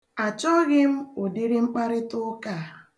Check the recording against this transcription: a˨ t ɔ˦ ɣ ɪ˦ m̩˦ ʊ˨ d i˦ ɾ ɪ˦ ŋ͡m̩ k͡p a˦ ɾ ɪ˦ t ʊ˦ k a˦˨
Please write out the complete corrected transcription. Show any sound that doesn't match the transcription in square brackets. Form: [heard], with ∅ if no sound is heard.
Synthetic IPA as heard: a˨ [t͡ʃ] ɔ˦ ɣ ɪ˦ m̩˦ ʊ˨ d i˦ ɾ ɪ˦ ŋ͡m̩ k͡p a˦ ɾ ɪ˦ t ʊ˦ k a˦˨